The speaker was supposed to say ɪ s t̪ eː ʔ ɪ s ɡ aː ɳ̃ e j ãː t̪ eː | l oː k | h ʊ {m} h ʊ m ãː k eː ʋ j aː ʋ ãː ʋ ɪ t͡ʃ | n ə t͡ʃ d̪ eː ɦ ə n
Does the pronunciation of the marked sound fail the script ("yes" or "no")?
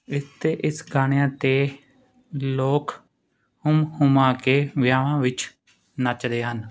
no